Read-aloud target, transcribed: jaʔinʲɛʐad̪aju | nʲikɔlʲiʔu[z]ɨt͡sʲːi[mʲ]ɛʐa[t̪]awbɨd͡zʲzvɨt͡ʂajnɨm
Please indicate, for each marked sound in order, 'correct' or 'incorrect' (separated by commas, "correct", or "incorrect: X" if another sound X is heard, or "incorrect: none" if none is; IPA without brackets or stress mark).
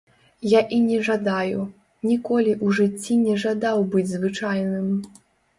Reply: incorrect: ʐ, incorrect: nʲ, incorrect: d̪